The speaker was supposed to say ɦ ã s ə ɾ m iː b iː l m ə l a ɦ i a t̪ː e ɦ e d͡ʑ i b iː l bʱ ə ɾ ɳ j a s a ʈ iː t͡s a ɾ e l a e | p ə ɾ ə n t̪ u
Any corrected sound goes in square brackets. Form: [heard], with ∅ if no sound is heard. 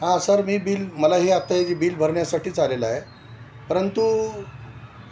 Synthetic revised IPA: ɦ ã s ə ɾ m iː b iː l m ə l a ɦ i a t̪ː [a] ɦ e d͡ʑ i b iː l bʱ ə ɾ ɳ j a s a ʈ iː t͡s a [l] e l a e | p ə ɾ ə n t̪ u